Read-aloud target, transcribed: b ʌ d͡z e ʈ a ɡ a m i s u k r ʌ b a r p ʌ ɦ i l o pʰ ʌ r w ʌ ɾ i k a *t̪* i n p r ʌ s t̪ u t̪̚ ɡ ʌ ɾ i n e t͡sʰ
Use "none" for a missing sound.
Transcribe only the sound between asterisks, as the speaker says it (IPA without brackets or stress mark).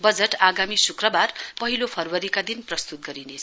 d̪